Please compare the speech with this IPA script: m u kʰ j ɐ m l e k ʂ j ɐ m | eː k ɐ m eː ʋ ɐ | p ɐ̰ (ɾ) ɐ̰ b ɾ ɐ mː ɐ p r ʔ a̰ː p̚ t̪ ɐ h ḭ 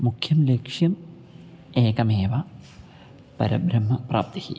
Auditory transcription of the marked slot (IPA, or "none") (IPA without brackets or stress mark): ɾ